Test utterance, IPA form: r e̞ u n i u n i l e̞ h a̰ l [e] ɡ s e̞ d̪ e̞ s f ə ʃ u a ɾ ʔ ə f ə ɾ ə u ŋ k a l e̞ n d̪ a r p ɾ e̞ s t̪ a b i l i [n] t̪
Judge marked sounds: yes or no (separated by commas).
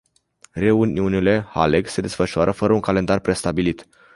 yes, no